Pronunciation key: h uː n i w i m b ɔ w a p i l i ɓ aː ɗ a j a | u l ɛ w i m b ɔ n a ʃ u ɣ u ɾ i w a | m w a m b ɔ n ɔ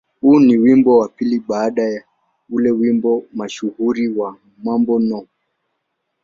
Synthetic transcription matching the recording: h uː n i w i m b ɔ w a p i l i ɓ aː ɗ a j a | u l ɛ w i m b ɔ m a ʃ u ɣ u ɾ i w a | m w a m b ɔ n ɔ